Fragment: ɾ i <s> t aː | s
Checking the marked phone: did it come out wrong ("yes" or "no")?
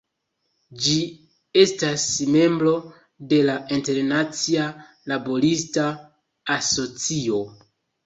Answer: no